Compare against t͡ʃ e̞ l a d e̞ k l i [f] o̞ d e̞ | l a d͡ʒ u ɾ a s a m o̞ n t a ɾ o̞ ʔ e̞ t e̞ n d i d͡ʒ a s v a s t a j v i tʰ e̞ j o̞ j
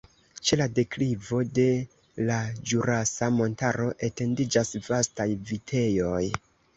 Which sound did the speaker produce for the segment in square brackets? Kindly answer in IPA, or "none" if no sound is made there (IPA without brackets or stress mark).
v